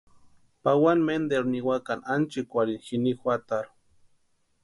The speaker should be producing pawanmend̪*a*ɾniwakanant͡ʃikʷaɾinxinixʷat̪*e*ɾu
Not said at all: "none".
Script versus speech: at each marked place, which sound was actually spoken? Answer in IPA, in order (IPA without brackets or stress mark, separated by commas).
e, a